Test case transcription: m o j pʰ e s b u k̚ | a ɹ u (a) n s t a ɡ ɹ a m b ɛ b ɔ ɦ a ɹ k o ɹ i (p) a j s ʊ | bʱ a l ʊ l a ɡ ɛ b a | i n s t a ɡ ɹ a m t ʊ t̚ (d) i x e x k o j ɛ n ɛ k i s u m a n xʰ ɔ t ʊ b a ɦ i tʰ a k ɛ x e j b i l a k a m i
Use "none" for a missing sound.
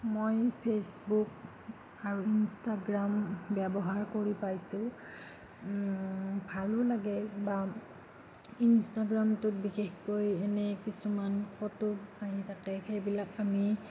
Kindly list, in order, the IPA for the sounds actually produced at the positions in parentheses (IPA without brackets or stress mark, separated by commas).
i, p, b